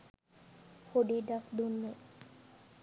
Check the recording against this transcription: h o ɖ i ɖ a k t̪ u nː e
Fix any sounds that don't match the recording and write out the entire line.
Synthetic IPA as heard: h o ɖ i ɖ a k d̪ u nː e